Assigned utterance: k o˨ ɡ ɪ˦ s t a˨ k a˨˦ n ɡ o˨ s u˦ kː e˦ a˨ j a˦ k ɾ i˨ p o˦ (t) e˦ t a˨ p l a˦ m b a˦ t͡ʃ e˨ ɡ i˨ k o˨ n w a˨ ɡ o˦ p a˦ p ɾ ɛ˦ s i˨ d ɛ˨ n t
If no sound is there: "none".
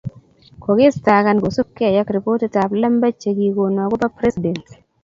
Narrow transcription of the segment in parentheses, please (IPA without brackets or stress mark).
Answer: t